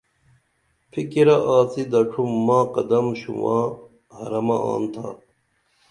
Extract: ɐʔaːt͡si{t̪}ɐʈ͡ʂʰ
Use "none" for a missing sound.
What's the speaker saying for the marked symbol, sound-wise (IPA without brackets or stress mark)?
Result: d̪